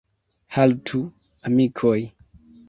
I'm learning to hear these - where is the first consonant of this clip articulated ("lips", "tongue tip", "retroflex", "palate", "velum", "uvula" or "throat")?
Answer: throat